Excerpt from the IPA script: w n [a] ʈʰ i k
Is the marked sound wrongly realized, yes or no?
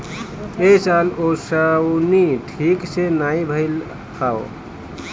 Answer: yes